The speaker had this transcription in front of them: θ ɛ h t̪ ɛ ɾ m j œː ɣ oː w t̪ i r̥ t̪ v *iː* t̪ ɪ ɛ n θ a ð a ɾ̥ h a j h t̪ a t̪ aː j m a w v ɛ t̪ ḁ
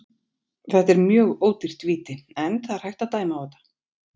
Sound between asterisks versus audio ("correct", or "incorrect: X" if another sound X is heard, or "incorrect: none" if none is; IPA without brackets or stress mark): correct